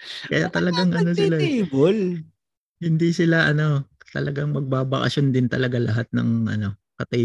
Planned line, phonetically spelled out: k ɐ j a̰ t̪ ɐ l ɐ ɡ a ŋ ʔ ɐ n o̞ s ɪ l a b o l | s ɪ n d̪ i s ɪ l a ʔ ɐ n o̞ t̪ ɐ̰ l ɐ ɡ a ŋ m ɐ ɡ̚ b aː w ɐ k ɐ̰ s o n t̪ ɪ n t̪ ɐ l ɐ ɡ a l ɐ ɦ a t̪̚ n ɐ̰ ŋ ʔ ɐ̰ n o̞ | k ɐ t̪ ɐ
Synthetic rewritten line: k ɐ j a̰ t̪ ɐ l ɐ ɡ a ŋ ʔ ɐ n o̞ s ɪ l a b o l | h ɪ n d̪ i s ɪ l a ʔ ɐ n o̞ t̪ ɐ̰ l ɐ ɡ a ŋ m ɐ ɡ̚ b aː b ɐ k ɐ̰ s o n d̪ ɪ n t̪ ɐ l ɐ ɡ a l ɐ ɦ a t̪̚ n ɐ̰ ŋ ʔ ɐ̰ n o̞ | k ɐ t̪ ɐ